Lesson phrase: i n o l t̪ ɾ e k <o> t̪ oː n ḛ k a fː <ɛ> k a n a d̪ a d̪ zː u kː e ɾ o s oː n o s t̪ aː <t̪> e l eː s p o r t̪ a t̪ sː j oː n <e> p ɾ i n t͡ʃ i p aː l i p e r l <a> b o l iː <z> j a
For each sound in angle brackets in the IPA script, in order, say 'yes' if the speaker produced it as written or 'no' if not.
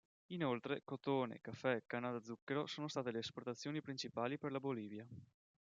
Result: yes, yes, yes, no, yes, no

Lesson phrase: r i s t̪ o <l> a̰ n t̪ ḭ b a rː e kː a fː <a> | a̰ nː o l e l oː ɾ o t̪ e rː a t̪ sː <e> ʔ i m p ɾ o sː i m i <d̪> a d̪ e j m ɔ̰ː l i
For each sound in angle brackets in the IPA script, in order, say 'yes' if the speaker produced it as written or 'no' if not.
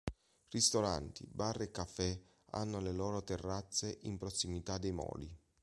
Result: no, no, yes, no

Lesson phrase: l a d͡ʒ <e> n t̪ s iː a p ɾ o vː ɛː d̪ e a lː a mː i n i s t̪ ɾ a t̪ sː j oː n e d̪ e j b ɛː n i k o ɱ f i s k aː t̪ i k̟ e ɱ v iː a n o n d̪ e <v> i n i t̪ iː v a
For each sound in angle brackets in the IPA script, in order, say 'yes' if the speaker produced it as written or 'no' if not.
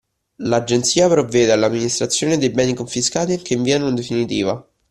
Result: yes, no

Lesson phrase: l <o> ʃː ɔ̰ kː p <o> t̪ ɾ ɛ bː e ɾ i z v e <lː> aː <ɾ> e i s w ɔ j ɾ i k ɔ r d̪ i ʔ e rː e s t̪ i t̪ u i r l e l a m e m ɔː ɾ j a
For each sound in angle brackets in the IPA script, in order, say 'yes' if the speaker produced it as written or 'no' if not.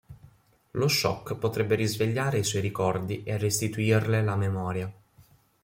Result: yes, yes, no, yes

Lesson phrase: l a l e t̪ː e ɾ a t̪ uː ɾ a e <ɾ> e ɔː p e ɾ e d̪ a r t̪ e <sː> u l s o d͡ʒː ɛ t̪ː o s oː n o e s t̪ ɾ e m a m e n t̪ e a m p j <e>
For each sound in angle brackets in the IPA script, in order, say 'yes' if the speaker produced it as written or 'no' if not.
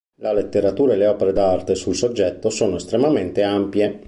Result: no, no, yes

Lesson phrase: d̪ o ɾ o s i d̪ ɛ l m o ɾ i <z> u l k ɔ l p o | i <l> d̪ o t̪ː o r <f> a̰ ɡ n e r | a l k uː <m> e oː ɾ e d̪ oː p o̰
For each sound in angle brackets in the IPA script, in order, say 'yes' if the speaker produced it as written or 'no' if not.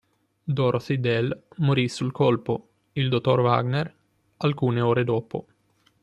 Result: no, yes, no, no

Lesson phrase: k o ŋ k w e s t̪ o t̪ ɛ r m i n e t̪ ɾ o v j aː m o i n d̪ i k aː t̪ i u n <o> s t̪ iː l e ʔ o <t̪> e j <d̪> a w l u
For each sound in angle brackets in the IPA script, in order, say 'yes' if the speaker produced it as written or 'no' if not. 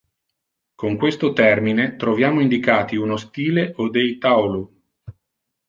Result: yes, no, no

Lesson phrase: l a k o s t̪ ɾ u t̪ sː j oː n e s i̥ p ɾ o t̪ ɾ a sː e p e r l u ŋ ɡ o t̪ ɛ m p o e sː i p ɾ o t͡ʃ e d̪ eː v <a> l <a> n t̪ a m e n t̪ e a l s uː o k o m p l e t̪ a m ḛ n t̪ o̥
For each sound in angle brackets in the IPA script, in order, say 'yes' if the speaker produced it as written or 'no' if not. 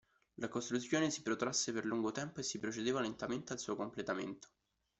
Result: yes, no

